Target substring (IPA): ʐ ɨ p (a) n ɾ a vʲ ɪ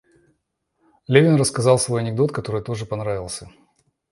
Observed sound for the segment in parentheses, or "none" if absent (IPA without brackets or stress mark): ɐ